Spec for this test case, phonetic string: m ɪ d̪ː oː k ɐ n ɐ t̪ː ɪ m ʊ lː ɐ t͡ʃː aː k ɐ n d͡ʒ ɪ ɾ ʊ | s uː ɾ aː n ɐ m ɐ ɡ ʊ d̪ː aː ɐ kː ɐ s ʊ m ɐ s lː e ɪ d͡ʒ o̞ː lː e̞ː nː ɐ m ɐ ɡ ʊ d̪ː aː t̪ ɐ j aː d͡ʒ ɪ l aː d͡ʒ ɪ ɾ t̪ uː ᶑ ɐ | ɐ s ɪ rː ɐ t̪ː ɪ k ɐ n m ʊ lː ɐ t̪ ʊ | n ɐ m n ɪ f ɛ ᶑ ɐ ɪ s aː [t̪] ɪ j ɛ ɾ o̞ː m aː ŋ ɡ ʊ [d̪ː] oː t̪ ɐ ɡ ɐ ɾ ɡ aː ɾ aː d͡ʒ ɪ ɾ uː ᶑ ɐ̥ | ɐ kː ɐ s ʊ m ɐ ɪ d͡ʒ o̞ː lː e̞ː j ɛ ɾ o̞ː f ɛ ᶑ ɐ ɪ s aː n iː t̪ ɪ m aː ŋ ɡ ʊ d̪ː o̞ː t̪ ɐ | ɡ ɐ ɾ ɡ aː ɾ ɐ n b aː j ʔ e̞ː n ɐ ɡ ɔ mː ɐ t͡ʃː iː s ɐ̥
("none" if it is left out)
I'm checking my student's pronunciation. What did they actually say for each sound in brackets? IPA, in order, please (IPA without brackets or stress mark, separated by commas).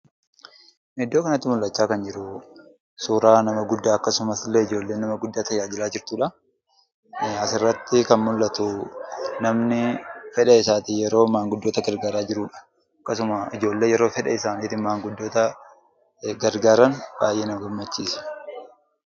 t̪, d̪ː